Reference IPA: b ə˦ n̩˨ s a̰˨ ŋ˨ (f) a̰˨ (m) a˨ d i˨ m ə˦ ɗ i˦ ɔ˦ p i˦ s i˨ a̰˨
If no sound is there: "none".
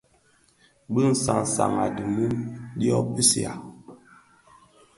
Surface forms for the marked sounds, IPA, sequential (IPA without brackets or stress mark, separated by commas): s, m